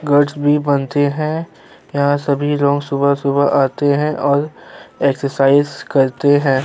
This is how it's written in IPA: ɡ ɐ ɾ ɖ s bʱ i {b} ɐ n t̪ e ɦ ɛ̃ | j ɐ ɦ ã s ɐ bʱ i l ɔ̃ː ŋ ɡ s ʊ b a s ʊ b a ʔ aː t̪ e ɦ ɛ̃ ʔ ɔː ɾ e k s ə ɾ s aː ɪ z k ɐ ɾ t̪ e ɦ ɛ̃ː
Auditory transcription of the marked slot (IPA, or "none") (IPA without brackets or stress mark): b